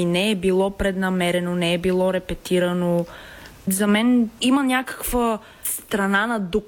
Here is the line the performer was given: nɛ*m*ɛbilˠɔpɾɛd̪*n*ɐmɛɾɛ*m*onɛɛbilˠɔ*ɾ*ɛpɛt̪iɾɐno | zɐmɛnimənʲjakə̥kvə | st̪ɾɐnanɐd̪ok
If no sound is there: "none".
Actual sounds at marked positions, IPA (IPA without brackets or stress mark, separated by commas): none, n, n, ɾ